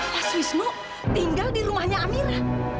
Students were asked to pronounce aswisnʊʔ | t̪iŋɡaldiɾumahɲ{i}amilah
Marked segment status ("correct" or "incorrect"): incorrect